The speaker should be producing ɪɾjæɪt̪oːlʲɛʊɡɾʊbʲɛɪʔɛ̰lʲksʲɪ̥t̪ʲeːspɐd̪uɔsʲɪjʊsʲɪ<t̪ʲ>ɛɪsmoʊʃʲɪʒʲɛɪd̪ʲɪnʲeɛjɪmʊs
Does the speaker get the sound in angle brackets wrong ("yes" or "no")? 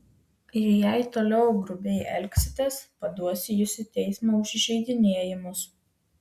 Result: no